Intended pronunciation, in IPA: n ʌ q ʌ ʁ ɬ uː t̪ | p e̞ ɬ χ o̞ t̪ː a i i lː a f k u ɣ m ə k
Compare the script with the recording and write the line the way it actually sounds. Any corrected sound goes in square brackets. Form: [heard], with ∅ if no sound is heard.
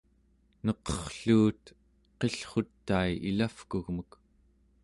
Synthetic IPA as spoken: n ʌ q ʌ [χ] ɬ uː t̪ | [q] e̞ ɬ χ o̞ t̪ː a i i [l] a f k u ɣ m ə k

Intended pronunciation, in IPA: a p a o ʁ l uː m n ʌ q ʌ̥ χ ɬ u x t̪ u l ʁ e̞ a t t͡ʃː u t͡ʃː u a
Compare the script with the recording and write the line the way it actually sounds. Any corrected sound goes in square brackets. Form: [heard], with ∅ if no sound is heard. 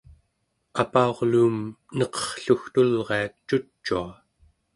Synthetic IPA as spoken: a p a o ʁ l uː m n ʌ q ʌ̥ χ ɬ u x t̪ u l ʁ e̞ a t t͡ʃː u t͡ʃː u a

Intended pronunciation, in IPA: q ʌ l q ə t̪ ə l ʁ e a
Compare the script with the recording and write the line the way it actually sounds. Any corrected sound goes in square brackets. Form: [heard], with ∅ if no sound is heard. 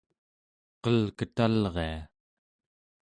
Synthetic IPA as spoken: q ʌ l [k] ə t̪ [a] l ʁ e a

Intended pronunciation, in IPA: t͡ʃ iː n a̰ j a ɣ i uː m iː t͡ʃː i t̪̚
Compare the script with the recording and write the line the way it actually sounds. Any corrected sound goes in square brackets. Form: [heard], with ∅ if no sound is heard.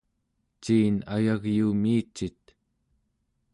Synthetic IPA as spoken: t͡ʃ iː n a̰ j a ɣ [j] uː m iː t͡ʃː i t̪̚

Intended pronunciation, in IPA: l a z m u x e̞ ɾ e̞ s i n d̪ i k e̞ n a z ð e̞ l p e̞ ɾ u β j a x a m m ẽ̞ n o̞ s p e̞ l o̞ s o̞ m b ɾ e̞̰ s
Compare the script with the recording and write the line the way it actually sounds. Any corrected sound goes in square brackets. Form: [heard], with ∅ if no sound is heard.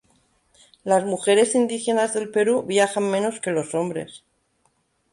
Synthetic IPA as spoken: l a z m u x e̞ ɾ e̞ s i n d̪ i [x] e̞ n a z ð e̞ l p e̞ ɾ u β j a x a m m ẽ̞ n o̞ s [k] e̞ l o̞ s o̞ m b ɾ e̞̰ s

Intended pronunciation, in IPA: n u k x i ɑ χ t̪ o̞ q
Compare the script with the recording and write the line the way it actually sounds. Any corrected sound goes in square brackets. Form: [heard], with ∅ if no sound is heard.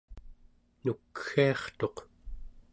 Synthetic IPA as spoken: n u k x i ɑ χ t̪ o̞ q

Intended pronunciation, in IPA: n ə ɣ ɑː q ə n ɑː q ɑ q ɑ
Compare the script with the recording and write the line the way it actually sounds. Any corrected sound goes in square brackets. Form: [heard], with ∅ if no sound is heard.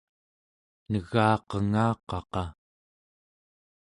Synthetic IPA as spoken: n ə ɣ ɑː q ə [ŋ] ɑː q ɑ q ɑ

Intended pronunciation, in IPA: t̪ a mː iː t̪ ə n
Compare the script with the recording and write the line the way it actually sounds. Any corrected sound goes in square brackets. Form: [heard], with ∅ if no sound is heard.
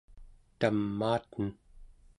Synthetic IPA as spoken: t̪ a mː [aː] t̪ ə n

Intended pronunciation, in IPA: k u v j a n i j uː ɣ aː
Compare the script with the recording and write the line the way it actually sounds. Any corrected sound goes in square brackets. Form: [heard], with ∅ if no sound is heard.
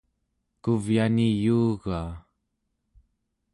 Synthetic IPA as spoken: k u v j a n i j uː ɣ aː

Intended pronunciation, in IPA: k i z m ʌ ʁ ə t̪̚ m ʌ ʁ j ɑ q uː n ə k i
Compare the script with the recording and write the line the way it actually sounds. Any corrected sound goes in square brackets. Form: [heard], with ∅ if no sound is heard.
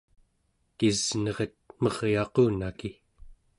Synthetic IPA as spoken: k i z [n] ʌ ʁ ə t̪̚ m ʌ ʁ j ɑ q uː n [a] k i

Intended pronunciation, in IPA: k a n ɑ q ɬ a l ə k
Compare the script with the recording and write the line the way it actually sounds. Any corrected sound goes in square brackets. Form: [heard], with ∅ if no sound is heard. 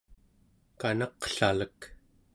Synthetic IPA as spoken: k a n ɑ q ɬ a l ə k

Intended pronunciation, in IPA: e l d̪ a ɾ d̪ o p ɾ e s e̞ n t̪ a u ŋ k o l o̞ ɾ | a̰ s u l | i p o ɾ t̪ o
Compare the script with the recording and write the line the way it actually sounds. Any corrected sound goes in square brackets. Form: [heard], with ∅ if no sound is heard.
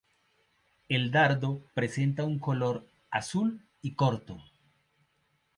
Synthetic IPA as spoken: e l d̪ a ɾ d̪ o p ɾ e s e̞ n t̪ a u ŋ k o l o̞ ɾ | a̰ s u l | i [k] o ɾ t̪ o

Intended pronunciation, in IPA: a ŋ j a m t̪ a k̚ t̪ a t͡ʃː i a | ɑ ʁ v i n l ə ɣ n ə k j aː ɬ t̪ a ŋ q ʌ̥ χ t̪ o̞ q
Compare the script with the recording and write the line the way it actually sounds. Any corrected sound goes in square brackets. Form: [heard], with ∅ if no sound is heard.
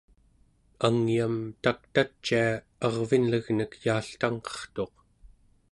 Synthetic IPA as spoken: a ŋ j a m t̪ a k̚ t̪ a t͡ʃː i a | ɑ ʁ v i n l ə ɣ n ə k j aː ɬ t̪ a ŋ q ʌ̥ χ t̪ o̞ q

